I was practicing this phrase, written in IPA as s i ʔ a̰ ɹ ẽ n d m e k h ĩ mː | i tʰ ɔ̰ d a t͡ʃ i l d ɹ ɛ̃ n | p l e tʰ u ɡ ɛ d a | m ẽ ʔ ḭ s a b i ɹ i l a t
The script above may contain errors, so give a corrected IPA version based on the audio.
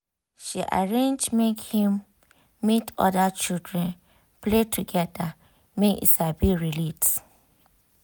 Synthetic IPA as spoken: ʃ i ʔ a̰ ɹ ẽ n d͡ʒ m e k h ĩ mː | i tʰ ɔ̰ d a t͡ʃ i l d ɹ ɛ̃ n | p l e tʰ u ɡ ɛ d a | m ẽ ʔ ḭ s a b i ɹ i l i t

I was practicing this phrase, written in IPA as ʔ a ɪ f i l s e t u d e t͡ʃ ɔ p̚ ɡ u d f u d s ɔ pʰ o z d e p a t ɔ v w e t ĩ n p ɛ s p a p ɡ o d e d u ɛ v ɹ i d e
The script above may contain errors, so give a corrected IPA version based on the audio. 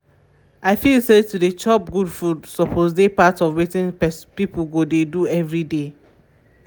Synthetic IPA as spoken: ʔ a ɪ f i l s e t u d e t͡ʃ ɔ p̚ ɡ u d f u d s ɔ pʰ o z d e p a t ɔ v w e t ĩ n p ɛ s p i p ɡ o d e d u ɛ v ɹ i d e

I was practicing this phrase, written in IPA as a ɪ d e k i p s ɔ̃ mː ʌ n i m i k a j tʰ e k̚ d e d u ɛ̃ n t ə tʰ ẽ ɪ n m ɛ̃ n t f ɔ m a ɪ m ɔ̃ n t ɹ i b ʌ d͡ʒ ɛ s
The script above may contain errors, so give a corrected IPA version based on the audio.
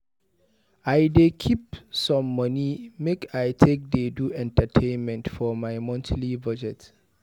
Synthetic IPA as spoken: a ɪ d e kʰ i p s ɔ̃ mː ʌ n i m e k a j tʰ e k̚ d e d u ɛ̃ n t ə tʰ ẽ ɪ n m ɛ̃ n t f ɔ m a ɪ m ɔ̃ n t l i b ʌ d͡ʒ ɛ t

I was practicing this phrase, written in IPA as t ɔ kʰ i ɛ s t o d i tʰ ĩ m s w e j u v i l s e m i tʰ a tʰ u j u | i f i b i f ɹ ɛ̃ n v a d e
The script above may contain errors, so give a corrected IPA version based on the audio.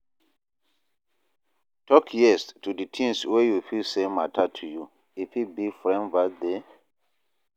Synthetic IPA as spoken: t ɔ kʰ j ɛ s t u d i tʰ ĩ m s w e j u f i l s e m a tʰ a tʰ u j u | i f i b i f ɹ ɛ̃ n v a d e

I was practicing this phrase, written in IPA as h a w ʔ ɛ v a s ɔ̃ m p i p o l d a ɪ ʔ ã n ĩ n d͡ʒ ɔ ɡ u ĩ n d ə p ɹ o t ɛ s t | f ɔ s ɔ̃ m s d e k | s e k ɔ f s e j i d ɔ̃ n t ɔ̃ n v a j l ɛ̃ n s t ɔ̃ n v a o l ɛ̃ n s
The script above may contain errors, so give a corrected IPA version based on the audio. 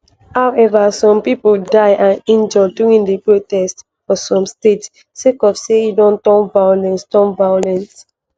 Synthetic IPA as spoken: h a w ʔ ɛ v a s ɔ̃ m p i p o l d a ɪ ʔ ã n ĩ n d͡ʒ ɔ d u ĩ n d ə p ɹ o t ɛ s t | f ɔ s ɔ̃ m s t e t | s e k ɔ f s e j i d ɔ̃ n t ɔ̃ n v a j l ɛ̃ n s t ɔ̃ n v a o l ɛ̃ n s

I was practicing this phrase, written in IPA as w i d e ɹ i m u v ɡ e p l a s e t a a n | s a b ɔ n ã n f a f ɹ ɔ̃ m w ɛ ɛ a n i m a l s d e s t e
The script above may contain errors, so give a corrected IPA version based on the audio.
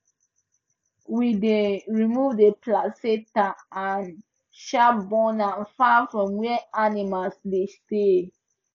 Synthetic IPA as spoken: w i d e ɹ i m u v d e p l a s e t a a n | ʃ a b ɔ n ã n f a f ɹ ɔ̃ m w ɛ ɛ a n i m a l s d e s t e

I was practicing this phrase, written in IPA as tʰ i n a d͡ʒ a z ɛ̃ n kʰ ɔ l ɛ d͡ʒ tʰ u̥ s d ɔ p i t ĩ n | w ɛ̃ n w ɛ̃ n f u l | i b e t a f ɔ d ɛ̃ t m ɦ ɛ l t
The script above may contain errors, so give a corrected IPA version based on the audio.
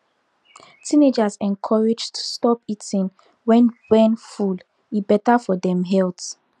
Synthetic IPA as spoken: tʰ i n e d͡ʒ a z ɛ̃ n kʰ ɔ ɹ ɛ d͡ʒ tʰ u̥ s t ɔ p i t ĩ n | w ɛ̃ n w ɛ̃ n f u l | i b ɛ t a f ɔ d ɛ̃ m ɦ ɛ l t

